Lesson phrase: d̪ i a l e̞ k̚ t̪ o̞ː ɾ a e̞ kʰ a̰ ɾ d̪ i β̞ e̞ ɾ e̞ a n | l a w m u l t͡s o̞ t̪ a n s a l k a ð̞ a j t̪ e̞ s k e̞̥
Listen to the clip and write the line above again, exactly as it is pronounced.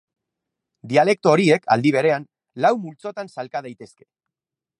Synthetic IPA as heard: d̪ i a l e̞ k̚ t̪ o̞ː ɾ i e̞ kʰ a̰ l d̪ i β̞ e̞ ɾ e̞ a n | l a w m u l t͡s o̞ t̪ a n s a l k a ð̞ a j t̪ e̞ s k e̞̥

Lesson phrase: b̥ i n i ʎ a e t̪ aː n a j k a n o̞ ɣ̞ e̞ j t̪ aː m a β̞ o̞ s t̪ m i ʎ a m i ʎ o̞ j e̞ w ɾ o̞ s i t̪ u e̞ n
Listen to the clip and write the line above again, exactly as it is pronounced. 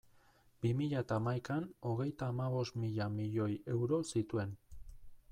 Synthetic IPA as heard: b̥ i m i ʎ a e t̪ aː m a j k a n o̞ ɣ̞ e̞ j t̪ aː m a β̞ o̞ s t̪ m i ʎ a m i ʎ o̞ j e̞ w ɾ o̞ s i t̪ u e̞ n

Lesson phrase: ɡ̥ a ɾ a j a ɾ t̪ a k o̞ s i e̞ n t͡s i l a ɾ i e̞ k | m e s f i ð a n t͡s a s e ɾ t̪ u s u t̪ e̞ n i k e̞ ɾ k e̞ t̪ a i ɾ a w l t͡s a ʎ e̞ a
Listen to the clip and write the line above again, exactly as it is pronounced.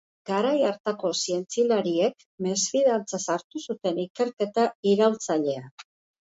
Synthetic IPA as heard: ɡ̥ a ɾ a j a ɾ t̪ a k o̞ s i e̞ n t͡s i l a ɾ i e̞ k | m e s f i ð a n t͡s a s a ɾ t̪ u s u t̪ e̞ n i k e̞ ɾ k e̞ t̪ a i ɾ a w l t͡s a ʎ e̞ a

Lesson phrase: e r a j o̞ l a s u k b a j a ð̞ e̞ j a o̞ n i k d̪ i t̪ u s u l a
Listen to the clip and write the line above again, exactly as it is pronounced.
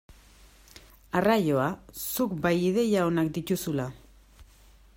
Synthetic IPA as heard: a r a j o̞ a s u k b a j i ð̞ e̞ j a o̞ n a k d̪ i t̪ u s u l a

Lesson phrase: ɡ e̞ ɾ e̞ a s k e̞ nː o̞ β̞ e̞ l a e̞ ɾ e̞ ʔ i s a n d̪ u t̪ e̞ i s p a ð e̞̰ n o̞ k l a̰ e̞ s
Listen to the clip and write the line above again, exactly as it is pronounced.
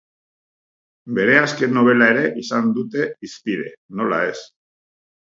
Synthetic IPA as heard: b e̞ ɾ e̞ a s k e̞ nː o̞ β̞ e̞ l a e̞ ɾ e̞ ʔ i s a n d̪ u t̪ e̞ i s p i ð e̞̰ n o̞ l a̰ e̞ s

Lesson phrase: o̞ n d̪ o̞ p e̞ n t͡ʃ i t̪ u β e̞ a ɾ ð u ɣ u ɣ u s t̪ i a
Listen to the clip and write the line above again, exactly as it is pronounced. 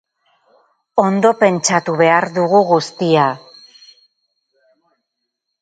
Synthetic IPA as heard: o̞ n d̪ o̞ p e̞ n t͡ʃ a t̪ u β e̞ a ɾ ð u ɣ u ɣ u s t̪ i a

